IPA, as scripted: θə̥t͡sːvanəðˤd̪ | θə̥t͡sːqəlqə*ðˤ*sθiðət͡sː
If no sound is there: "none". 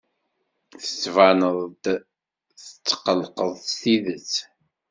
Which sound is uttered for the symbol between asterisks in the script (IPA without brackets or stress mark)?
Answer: ðˤ